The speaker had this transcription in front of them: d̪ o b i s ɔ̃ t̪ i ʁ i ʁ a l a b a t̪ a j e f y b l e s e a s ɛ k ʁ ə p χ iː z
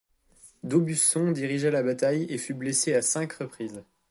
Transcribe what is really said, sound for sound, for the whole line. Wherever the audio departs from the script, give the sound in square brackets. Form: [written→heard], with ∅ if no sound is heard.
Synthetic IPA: d̪ o b [i→y] s ɔ̃ [t̪→d̪] i ʁ i [ʁ→ʒ] a l a b a t̪ a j e f y b l e s e a s [ɛ→ɛ̃] k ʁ ə p χ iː z